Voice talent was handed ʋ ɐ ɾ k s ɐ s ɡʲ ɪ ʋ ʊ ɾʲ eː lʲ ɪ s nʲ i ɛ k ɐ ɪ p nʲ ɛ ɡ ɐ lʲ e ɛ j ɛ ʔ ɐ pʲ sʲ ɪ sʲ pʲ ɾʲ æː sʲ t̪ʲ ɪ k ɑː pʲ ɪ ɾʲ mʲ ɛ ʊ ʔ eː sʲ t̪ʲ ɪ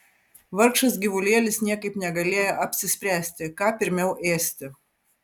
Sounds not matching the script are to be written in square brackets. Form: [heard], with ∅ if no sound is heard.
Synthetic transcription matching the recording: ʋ ɐ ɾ k [ʃ] ɐ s ɡʲ ɪ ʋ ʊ [lʲ] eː lʲ ɪ s nʲ i ɛ k ɐ ɪ p nʲ ɛ ɡ ɐ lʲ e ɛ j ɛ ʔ ɐ pʲ sʲ ɪ sʲ pʲ ɾʲ æː sʲ t̪ʲ ɪ k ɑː pʲ ɪ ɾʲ mʲ ɛ ʊ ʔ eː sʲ t̪ʲ ɪ